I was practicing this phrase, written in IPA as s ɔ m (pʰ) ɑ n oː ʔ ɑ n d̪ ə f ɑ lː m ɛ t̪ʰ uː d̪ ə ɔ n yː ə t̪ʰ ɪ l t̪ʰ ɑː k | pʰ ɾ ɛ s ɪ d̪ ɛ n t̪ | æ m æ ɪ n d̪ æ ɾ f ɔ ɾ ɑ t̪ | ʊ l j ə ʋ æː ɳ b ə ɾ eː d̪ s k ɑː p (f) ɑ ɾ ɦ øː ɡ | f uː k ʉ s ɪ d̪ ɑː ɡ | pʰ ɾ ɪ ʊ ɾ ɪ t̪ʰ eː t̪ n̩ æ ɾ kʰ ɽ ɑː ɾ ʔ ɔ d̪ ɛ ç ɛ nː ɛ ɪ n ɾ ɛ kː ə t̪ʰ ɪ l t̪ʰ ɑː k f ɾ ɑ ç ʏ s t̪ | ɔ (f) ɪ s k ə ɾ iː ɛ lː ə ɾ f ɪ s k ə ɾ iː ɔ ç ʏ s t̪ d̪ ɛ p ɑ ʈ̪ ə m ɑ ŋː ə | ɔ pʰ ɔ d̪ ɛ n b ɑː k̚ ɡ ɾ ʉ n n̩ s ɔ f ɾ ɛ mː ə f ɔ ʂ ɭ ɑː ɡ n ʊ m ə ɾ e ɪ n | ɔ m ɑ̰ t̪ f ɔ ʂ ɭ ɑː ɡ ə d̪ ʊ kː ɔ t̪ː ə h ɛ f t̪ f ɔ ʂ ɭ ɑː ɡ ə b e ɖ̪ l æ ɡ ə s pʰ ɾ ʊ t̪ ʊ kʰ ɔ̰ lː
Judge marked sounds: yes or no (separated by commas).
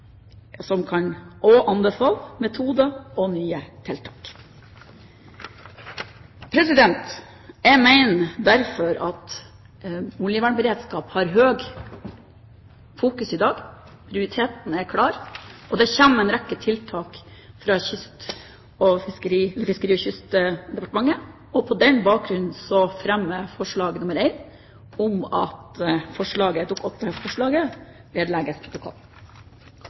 no, no, yes